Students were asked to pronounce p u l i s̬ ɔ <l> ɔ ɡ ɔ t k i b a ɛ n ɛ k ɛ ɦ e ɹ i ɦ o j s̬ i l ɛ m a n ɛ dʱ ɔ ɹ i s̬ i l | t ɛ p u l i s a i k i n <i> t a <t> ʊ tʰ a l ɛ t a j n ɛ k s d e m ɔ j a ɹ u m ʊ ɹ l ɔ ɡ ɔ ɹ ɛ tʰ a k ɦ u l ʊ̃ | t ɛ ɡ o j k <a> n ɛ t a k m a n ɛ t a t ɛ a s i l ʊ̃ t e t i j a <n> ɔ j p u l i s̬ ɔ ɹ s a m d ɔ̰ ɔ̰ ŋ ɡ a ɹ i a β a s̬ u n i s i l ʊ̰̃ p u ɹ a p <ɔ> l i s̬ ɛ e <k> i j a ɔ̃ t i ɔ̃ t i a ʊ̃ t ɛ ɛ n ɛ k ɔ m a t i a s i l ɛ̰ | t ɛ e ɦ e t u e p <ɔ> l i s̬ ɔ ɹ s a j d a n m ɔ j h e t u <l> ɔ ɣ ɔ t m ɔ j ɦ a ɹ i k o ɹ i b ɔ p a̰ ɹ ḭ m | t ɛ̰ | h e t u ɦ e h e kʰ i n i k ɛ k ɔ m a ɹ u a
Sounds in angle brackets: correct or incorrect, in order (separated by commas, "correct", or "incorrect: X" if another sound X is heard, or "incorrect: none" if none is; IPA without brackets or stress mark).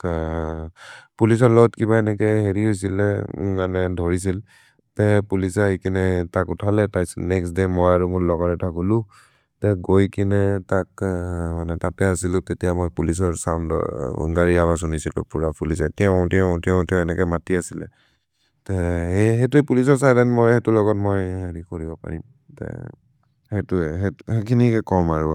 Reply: correct, incorrect: ɛ, incorrect: k, incorrect: i, incorrect: m, incorrect: u, incorrect: t, incorrect: u, correct